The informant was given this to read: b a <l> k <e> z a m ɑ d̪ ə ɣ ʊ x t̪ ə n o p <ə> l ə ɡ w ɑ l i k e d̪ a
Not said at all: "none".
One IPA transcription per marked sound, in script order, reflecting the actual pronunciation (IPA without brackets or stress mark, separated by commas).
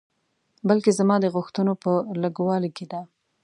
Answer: l, e, ə